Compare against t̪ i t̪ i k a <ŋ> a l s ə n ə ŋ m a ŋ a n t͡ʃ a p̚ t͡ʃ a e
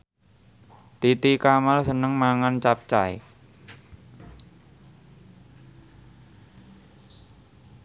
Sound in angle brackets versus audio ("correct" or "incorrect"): incorrect